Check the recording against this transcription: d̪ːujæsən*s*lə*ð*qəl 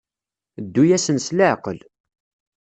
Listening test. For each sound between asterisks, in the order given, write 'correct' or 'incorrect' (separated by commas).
correct, incorrect